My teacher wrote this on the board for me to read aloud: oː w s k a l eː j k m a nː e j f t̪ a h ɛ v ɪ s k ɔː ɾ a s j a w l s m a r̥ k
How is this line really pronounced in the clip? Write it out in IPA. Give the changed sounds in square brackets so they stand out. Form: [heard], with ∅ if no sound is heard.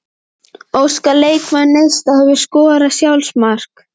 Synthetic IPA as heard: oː w s k a l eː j k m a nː e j [s] t̪ a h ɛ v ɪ s k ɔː ɾ a s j a w l s m a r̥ k

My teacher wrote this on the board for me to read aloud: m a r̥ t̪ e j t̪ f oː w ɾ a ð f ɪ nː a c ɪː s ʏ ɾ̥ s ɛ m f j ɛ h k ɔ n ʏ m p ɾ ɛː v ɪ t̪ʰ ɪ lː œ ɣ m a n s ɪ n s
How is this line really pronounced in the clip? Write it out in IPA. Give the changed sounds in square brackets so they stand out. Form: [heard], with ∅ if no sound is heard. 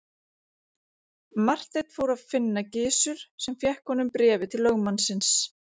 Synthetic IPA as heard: m a r̥ t̪ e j t̪ f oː w ɾ a ð f ɪ nː a c ɪː s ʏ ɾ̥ s ɛ m f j ɛ h k ɔ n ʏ m p ɾ ɛː v ɪ t̪ʰ ɪ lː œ ɣ m a n s ɪ n s

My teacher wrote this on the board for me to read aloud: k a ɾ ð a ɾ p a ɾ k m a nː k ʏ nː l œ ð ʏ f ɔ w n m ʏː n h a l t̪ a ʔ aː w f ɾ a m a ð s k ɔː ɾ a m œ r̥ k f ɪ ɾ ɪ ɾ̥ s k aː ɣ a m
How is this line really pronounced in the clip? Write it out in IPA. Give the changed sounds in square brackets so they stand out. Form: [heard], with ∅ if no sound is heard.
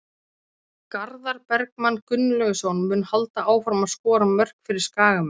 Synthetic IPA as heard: k a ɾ ð a ɾ p [ɛ] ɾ k m a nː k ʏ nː l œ [ɣ] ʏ [s] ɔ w n m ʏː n h a l t̪ a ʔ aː w f ɾ a m a ð s k ɔː ɾ a m œ r̥ k f ɪ ɾ ɪ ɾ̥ s k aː ɣ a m

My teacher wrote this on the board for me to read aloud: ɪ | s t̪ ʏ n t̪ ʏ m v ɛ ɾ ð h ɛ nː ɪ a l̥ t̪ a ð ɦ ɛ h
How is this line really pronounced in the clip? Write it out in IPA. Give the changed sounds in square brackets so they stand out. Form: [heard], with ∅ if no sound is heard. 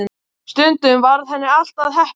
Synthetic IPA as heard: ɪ | s t̪ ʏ n t̪ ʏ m v [a] ɾ ð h ɛ nː ɪ a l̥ t̪ a ð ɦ ɛ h

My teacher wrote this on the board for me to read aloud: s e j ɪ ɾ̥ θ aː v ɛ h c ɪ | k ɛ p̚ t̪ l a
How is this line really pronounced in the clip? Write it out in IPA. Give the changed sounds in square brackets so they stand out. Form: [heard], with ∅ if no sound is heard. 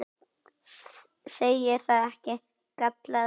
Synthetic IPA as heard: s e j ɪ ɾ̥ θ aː [ð] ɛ h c ɪ | k [a] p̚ t̪ l a

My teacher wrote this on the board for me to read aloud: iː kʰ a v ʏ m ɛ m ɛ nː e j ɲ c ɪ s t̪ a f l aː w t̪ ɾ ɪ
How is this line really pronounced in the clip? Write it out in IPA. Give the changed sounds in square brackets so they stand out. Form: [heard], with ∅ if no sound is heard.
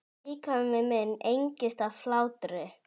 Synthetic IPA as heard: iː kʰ a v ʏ m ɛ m ɛ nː e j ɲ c ɪ s t̪ a f l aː w t̪ ɾ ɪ

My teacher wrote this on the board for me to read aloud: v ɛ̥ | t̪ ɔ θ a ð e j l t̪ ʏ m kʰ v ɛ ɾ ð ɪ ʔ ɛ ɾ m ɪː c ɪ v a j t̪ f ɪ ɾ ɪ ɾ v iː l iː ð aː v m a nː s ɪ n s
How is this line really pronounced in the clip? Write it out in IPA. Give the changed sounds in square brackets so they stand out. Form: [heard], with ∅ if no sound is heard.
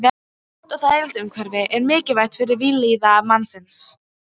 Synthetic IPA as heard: v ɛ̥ | t̪ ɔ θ a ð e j l t̪ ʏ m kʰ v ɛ ɾ [v] ɪ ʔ ɛ ɾ m ɪː c ɪ v a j t̪ f ɪ ɾ ɪ ɾ v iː l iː ð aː v m a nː s ɪ n s

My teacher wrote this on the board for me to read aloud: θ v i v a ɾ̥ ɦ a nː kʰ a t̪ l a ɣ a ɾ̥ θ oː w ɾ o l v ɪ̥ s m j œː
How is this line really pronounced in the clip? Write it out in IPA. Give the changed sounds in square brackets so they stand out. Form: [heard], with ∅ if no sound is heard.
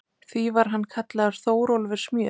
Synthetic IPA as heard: θ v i v a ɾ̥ ɦ a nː kʰ a t̪ l a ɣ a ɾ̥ θ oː w ɾ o l v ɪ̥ s m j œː

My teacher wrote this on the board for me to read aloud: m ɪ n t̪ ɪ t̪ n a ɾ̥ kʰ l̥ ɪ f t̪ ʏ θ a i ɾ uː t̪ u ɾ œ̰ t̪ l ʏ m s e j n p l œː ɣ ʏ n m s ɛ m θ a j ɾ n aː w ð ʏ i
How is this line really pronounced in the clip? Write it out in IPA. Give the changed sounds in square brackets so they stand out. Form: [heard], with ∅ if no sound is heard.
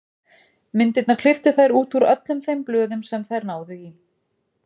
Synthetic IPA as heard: m ɪ n t̪ ɪ t̪ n a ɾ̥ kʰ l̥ ɪ f t̪ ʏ θ a [j] ɾ uː t̪ u ɾ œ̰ t̪ l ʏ m [θ] e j [m] p l œː [ð] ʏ [∅] m s ɛ m θ a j ɾ n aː w ð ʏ i

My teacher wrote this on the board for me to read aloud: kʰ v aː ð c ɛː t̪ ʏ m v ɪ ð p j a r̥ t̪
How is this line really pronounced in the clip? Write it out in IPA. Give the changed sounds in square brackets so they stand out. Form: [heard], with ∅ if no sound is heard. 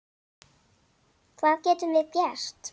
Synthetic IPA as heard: kʰ v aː ð c ɛː t̪ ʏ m v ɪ ð p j [ɛ] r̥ t̪

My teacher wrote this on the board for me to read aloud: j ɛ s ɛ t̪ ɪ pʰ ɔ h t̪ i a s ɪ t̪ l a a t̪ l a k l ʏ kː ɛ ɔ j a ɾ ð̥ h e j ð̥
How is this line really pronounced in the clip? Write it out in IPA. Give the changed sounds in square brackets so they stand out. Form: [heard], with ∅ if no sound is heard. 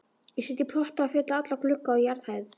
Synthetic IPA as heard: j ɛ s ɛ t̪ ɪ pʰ ɔ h t̪ [a] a [f] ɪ t̪ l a a t̪ l a k l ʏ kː [a] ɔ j a ɾ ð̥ h [a] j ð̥

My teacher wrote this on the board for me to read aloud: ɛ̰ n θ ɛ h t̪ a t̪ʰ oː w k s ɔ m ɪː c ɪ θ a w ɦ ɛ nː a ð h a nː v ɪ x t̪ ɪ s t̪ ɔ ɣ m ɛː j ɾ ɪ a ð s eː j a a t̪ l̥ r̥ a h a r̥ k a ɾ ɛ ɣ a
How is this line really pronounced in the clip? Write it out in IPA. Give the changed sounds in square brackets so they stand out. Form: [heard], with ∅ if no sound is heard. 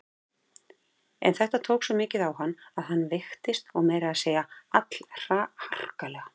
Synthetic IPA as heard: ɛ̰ n θ ɛ h t̪ a t̪ʰ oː w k s ɔ m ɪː c ɪ [ð] a w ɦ [a] nː a ð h a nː v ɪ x t̪ ɪ s t̪ ɔ ɣ m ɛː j ɾ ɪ a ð s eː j a a t̪ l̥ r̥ a h a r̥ k a [l] ɛ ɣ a

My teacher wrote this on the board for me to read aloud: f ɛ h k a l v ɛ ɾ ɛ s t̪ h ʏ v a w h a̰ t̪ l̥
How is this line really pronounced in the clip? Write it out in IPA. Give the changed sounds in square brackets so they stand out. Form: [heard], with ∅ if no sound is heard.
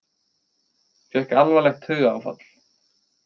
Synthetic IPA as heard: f ɛ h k a l v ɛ [l] ɛ [x] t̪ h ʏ [ɣ] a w [f] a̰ t̪ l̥

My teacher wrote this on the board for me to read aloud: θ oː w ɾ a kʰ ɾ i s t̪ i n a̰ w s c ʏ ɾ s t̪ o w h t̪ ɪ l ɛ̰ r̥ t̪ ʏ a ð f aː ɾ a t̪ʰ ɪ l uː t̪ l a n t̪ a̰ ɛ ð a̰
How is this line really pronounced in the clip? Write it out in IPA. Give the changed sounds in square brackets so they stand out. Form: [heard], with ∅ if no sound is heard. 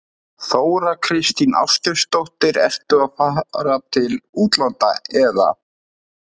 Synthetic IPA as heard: θ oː w ɾ a kʰ ɾ [ɪ] s t̪ i n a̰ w s c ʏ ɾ s t̪ o w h t̪ ɪ [ɾ] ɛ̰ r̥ t̪ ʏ a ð f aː ɾ a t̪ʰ ɪ l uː t̪ l a n t̪ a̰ ɛ ð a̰

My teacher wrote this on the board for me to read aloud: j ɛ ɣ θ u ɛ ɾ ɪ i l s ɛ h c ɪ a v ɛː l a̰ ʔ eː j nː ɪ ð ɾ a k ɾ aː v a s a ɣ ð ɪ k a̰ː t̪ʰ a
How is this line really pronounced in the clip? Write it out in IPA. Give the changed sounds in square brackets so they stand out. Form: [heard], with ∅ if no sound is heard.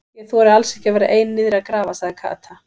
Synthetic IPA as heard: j ɛ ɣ θ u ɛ ɾ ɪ [a] l s ɛ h c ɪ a v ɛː [ɾ] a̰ ʔ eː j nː ɪ ð ɾ a k ɾ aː v a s a ɣ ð ɪ [kʰ] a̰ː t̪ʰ a

